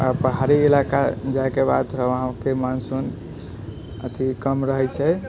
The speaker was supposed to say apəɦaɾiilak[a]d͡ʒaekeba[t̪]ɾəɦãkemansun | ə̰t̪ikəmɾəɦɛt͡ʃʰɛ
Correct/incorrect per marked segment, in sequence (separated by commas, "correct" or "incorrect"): correct, incorrect